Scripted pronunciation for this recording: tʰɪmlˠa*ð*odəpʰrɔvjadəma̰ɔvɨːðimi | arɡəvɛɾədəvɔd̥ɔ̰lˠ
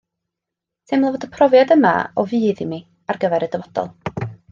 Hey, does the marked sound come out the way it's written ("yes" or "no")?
no